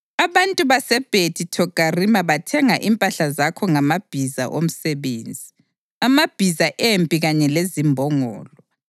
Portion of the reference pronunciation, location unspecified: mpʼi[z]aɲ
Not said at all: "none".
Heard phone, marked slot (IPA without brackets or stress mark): ɣ